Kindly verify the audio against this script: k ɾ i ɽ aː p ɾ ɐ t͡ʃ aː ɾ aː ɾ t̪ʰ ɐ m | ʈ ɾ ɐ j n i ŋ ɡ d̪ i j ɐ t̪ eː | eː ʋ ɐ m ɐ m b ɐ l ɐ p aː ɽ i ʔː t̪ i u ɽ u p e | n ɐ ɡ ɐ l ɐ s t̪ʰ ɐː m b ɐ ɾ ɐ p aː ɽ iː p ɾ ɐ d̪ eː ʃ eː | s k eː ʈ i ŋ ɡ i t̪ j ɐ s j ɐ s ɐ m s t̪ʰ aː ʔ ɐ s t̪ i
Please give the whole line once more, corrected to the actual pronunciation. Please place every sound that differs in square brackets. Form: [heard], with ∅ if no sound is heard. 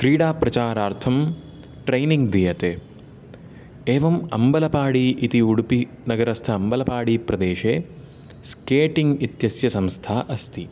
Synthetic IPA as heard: k ɾ [iː] ɽ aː p ɾ ɐ t͡ʃ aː ɾ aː ɾ t̪ʰ ɐ m | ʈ ɾ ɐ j n i ŋ ɡ d̪ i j ɐ t̪ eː | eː ʋ ɐ m ɐ m b ɐ l ɐ p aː ɽ i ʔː t̪ i u ɽ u p [i] | n ɐ ɡ ɐ [ɾ] ɐ s t̪ʰ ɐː m b ɐ [l] ɐ p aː ɽ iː p ɾ ɐ d̪ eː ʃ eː | s k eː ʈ i ŋ ɡ i t̪ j ɐ s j ɐ s ɐ m s t̪ʰ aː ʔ ɐ s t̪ i